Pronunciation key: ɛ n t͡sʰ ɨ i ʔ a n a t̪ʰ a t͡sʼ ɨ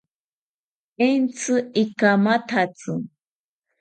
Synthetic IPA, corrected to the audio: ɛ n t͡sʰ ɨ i k a m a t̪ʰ a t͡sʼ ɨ